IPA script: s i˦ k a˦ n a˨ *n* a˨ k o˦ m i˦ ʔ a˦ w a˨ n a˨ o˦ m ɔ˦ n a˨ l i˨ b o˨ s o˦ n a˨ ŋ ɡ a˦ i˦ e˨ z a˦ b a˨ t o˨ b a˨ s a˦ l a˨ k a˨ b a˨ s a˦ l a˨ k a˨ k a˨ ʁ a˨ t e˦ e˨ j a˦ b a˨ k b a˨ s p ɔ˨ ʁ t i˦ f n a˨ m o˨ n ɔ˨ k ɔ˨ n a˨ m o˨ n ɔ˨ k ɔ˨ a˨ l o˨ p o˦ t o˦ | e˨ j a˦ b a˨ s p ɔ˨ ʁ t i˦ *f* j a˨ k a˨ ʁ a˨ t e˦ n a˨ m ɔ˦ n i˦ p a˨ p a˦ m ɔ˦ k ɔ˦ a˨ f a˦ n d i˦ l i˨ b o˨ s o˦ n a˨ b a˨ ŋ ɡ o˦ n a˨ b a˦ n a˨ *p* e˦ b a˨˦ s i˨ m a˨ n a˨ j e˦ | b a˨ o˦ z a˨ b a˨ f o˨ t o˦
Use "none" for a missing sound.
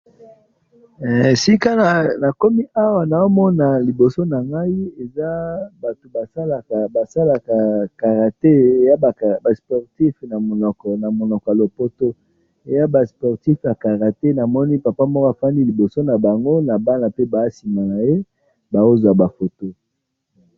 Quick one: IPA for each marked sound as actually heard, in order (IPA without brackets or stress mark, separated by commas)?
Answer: n, f, p